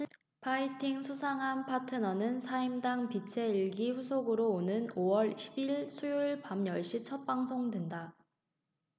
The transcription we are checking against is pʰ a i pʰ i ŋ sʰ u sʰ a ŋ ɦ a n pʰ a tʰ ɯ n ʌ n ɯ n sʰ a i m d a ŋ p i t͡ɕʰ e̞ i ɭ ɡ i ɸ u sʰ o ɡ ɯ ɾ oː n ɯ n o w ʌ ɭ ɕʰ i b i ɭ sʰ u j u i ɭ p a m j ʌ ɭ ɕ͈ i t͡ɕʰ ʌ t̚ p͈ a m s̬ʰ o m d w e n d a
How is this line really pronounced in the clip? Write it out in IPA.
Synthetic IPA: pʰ a i tʰ i ŋ sʰ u sʰ a ŋ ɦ a n pʰ a tʰ ɯ n ʌ n ɯ n sʰ a i m d a ŋ p i t͡ɕʰ e̞ i ɭ ɡ i ɸ u sʰ o ɡ ɯ ɾ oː n ɯ n o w ʌ ɭ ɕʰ i b i ɭ sʰ u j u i ɭ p a m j ʌ ɭ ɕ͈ i t͡ɕʰ ʌ t̚ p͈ a ŋ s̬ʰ o ŋ d w e n d a

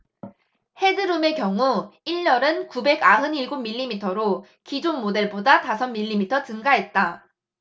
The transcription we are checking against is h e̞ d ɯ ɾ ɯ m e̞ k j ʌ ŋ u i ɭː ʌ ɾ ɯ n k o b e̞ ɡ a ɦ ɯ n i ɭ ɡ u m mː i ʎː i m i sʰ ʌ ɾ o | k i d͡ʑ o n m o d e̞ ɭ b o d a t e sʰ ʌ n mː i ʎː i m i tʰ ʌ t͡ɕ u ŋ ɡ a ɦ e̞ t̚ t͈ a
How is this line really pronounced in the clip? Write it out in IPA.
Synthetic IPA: h e̞ d ɯ ɾ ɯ m e̞ k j ʌ ŋ u i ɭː ʌ ɾ ɯ n k u b e̞ ɡ a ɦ ɯ n i ɭ ɡ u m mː i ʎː i m i tʰ ʌ ɾ o | k i d͡ʑ o n m o d e̞ ɭ b o d a t a sʰ ʌ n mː i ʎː i m i tʰ ʌ t͡ɕ ɯ ŋ ɡ a ɦ e̞ t̚ t͈ a

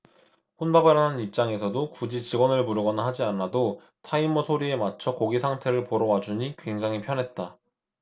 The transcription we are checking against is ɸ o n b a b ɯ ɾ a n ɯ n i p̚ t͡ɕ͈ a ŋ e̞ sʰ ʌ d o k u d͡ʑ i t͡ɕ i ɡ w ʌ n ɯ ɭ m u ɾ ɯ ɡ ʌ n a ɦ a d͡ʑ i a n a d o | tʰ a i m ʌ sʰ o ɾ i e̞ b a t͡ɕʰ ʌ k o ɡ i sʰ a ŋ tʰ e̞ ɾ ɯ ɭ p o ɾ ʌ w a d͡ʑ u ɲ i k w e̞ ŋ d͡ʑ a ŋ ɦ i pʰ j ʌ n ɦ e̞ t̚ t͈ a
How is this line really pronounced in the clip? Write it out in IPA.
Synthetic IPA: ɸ o n b a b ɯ ɾ a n ɯ n i p̚ t͡ɕ͈ a ŋ e̞ sʰ ʌ d o k u d͡ʑ i t͡ɕ i ɡ w ʌ n ɯ ɭ m u ɾ ɯ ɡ ʌ n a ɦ a d͡ʑ i a n a d o | tʰ a i m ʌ sʰ o ɾ i e̞ m a t͡ɕʰ ʌ k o ɡ i sʰ a ŋ tʰ e̞ ɾ ɯ ɭ p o ɾ ʌ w a d͡ʑ u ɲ i k w e̞ ŋ d͡ʑ a ŋ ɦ i pʰ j ʌ n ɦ e̞ t̚ t͈ a

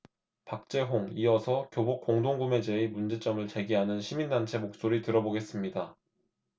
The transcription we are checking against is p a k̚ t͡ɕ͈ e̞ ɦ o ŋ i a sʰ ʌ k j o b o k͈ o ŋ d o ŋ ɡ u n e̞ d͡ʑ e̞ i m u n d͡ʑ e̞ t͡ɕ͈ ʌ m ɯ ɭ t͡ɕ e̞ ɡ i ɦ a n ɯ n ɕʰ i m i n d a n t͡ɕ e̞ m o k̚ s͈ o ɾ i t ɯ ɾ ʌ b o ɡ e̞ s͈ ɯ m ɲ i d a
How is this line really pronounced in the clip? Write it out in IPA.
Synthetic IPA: p a k̚ t͡ɕ͈ e̞ ɦ o ŋ i ʌ sʰ ʌ k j o b o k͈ o ŋ d o ŋ ɡ u m e̞ d͡ʑ e̞ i m u n d͡ʑ e̞ t͡ɕ͈ ʌ m ɯ ɭ t͡ɕ e̞ ɡ i ɦ a n ɯ n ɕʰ i m i n d a n t͡ɕʰ e̞ m o k̚ s͈ o ɾ i t ɯ ɾ ʌ b o ɡ e̞ s͈ ɯ m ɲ i d a

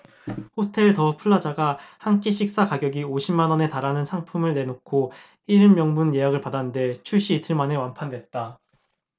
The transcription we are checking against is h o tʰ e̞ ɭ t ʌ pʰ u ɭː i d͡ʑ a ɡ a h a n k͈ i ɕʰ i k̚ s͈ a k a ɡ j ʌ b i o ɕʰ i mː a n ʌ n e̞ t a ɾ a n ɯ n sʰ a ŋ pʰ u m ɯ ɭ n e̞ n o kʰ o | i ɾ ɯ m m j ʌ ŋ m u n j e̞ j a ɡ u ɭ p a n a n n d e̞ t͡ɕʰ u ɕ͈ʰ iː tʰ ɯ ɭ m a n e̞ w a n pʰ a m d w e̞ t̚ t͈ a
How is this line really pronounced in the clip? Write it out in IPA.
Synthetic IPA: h o tʰ e̞ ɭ t ʌ pʰ u ɭː a d͡ʑ a ɡ a h a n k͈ i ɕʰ i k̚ s͈ a k a ɡ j ʌ ɡ i o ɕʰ i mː a n ʌ n e̞ t a ɾ a n ɯ n sʰ a ŋ pʰ u m ɯ ɭ n e̞ n o kʰ o | i ɾ ɯ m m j ʌ ŋ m u n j e̞ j a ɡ ɯ ɭ p a d a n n d e̞ t͡ɕʰ u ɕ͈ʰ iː tʰ ɯ ɭ m a n e̞ w a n pʰ a n d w e̞ t̚ t͈ a

